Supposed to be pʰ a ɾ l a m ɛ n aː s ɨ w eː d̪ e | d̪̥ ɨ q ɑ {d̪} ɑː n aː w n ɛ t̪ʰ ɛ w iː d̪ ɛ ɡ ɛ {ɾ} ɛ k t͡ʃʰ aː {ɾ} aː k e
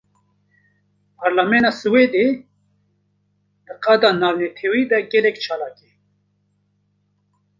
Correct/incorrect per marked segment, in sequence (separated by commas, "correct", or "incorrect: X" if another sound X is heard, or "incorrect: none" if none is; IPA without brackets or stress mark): correct, incorrect: l, incorrect: l